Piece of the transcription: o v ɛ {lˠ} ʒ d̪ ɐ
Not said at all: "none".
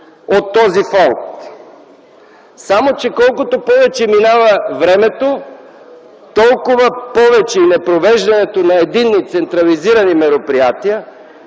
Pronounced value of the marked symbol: none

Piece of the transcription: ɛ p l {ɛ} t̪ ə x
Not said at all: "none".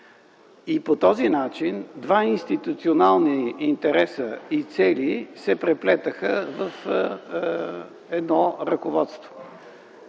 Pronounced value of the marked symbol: ɛ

